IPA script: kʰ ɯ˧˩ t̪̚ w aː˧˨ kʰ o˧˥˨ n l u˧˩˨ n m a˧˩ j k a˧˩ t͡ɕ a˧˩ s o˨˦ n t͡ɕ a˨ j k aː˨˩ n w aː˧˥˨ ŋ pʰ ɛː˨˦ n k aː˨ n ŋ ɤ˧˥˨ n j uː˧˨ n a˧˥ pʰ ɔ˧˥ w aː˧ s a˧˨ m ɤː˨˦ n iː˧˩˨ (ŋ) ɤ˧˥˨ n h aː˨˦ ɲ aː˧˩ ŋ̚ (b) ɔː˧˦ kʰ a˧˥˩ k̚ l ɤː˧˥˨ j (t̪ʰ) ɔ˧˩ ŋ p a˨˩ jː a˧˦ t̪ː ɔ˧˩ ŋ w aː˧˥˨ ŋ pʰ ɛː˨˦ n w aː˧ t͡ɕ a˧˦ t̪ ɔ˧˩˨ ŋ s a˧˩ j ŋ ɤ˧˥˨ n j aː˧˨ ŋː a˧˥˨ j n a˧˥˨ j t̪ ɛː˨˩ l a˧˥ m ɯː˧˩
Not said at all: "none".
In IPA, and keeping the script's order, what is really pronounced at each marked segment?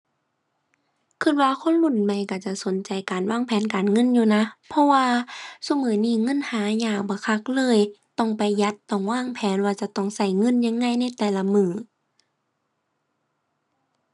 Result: ŋ, b, t̪

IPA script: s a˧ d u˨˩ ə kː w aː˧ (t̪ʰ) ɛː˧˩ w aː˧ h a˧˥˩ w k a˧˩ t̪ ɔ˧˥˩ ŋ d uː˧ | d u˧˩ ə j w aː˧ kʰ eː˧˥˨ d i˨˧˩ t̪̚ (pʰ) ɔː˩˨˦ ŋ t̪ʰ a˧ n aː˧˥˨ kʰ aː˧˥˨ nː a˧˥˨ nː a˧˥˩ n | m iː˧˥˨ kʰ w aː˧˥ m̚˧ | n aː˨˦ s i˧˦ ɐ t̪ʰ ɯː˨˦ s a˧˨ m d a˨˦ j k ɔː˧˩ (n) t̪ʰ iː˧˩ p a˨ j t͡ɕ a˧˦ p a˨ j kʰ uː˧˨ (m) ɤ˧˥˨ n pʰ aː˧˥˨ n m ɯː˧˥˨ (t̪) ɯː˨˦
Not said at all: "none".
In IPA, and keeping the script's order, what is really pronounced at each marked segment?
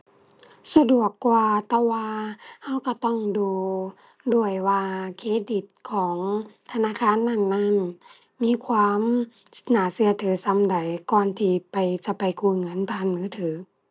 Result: t̪, kʰ, n, ŋ, t̪ʰ

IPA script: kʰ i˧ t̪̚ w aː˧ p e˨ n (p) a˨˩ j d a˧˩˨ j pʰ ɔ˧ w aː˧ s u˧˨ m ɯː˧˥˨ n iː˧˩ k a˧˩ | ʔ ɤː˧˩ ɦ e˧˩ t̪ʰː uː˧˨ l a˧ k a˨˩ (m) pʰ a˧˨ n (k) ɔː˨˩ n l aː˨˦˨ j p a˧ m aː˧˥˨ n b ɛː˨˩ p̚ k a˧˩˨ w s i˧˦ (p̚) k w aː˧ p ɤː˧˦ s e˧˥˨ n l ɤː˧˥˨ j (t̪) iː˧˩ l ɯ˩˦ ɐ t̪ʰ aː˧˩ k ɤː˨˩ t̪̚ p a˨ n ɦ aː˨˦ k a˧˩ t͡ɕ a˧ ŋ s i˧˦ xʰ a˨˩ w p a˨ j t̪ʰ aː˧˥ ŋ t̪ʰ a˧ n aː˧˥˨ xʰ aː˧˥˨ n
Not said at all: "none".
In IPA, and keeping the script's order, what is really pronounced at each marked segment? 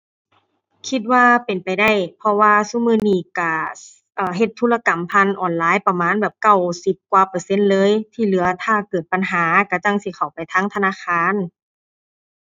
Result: p, m, ʔ, p̚, t̪ʰ

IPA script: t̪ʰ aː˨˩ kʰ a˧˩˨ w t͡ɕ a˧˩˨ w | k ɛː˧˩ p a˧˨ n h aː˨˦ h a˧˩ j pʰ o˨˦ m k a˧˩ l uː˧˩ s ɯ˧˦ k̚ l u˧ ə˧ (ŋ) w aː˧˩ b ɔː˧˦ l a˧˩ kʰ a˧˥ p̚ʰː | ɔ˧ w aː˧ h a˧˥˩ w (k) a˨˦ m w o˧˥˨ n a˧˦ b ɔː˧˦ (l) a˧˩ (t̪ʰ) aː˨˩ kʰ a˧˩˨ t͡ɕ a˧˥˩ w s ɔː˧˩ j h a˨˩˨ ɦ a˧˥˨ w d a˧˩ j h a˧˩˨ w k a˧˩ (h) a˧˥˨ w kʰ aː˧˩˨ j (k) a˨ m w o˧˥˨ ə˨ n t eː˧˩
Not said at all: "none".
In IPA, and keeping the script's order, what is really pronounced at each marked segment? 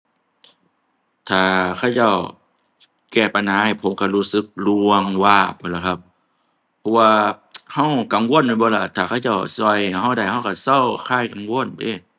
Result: ŋ, k, l, t̪ʰ, s, k

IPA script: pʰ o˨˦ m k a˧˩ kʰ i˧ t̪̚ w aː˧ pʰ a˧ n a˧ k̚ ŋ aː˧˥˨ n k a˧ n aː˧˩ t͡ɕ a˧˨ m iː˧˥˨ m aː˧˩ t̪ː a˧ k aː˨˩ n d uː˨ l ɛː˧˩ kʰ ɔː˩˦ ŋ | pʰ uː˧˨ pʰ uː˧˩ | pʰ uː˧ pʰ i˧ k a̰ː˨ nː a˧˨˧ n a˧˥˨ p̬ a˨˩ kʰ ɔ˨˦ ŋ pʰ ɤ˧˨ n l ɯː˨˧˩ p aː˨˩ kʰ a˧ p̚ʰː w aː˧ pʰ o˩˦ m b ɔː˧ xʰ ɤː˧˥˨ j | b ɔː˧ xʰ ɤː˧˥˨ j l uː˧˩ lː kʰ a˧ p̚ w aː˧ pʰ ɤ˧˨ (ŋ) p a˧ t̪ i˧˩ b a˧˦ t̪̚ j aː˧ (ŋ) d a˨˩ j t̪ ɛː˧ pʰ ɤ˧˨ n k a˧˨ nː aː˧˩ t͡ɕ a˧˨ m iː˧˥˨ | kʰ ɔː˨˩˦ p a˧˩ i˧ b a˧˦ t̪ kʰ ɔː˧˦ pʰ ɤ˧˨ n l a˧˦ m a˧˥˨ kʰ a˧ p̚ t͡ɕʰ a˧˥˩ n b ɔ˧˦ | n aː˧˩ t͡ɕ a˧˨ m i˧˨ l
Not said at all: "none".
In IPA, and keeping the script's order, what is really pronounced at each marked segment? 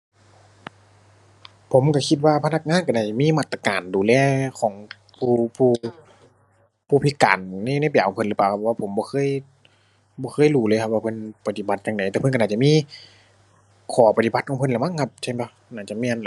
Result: n, ŋ

